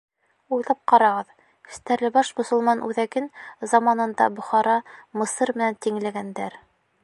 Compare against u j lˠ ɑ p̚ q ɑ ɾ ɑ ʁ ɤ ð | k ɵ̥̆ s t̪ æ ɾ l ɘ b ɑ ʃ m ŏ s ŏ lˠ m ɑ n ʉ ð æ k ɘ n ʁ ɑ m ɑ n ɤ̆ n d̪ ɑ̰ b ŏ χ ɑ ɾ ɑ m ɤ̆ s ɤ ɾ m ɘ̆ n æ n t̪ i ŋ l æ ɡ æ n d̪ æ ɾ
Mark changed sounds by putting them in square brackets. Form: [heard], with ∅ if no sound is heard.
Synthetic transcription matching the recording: u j lˠ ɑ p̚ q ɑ ɾ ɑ ʁ ɤ ð | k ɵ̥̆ s t̪ æ ɾ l ɘ b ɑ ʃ m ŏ s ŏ lˠ m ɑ n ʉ ð æ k ɘ n [z] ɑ m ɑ n ɤ̆ n d̪ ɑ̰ b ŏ χ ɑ ɾ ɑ m ɤ̆ s ɤ ɾ m ɘ̆ n æ n t̪ i ŋ l æ ɡ æ n d̪ æ ɾ